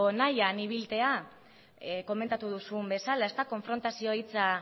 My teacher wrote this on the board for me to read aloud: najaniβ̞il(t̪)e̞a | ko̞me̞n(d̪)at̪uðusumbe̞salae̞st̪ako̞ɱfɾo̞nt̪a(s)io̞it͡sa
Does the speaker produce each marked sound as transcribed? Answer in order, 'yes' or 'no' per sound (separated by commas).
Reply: yes, no, yes